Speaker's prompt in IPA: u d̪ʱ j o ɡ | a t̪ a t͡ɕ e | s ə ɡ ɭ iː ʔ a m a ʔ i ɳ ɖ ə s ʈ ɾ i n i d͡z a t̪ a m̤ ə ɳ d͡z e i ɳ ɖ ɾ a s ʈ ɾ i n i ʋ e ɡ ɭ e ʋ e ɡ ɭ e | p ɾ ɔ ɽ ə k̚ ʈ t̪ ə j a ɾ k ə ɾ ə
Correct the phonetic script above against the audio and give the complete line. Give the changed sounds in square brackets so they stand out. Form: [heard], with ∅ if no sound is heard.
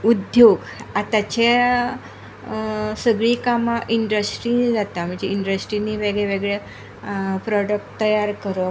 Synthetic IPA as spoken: u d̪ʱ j o ɡ | a t̪ a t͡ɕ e | s ə ɡ ɭ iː [k] a m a ʔ i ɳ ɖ ə s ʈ ɾ i n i d͡z a t̪ a m̤ ə ɳ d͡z e i ɳ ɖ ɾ [ə] s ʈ ɾ i n i ʋ e ɡ ɭ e ʋ e ɡ ɭ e | p ɾ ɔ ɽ ə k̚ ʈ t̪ ə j a ɾ k ə ɾ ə